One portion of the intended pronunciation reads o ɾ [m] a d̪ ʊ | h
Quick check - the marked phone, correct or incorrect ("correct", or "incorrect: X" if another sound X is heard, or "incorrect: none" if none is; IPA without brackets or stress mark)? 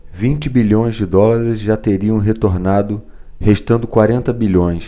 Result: incorrect: n